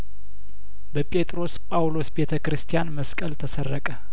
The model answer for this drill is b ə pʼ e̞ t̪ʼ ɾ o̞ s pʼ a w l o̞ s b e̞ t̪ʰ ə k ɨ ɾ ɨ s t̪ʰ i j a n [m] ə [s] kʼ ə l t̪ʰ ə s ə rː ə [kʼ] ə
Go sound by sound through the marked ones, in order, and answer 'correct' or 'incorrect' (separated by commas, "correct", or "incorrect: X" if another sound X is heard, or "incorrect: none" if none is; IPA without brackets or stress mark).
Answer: correct, correct, correct